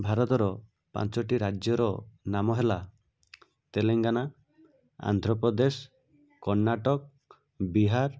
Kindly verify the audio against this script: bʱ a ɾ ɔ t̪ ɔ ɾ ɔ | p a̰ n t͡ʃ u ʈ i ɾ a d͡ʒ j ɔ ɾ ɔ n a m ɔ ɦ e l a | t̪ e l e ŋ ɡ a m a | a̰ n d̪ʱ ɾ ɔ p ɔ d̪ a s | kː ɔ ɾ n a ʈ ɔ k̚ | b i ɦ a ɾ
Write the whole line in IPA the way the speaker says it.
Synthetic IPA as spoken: bʱ a ɾ ɔ t̪ ɔ ɾ ɔ | p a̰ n t͡ʃ ɔ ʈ i ɾ a d͡ʒ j ɔ ɾ ɔ n a m ɔ ɦ e l a | t̪ e l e ŋ ɡ a n a | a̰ n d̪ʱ ɾ ɔ p ɔ d̪ e s | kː ɔ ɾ n a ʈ ɔ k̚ | b i ɦ a ɾ